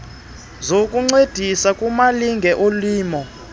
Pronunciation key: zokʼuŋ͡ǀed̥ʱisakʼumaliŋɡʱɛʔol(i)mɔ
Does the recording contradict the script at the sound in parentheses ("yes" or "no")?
yes